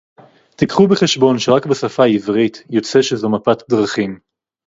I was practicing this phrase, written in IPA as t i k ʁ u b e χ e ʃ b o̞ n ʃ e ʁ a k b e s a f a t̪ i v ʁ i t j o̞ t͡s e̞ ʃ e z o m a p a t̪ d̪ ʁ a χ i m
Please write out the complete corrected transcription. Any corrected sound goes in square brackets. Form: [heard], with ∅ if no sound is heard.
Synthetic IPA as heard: t i k [χ] u b e χ e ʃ b o̞ n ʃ e ʁ a k b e s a f a [∅] i v ʁ i t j o̞ t͡s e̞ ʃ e z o m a p a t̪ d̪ ʁ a χ i m